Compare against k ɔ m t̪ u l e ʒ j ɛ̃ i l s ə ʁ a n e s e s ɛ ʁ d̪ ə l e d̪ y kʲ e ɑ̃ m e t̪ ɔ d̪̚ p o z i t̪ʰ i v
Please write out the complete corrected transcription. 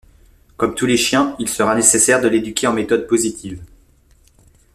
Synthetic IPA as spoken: k ɔ m t̪ u l e ʃ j ɛ̃ i l s ə ʁ a n e s e s ɛ ʁ d̪ ə l e d̪ y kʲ e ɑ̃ m e t̪ ɔ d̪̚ p o z i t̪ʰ i v